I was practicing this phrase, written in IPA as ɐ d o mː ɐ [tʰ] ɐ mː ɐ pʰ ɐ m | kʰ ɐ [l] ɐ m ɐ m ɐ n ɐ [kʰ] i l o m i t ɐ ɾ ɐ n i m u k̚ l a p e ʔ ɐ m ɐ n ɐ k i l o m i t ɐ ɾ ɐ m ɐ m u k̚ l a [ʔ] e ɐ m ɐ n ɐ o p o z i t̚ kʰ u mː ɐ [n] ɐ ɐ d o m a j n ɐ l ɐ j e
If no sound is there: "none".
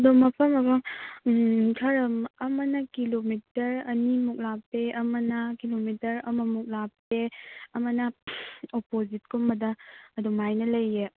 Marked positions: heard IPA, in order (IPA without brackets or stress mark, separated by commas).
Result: pʰ, ɾ, k, p, d